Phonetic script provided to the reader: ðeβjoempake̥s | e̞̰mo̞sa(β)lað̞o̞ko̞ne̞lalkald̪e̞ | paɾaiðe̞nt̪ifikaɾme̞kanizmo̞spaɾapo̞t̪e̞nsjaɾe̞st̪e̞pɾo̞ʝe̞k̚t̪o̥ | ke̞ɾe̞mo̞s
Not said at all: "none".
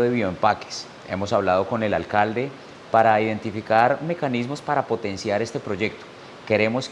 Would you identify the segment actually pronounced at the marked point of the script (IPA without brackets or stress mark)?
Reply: β